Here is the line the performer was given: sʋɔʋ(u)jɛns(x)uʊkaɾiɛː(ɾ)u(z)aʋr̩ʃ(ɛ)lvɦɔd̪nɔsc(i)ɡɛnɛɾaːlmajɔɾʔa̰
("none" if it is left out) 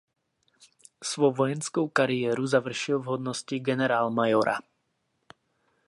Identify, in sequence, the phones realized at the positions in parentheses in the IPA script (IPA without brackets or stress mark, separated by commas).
ɔ, k, ɾ, z, i, i